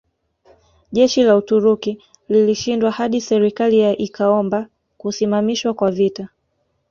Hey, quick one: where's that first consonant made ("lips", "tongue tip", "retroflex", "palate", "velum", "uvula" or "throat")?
palate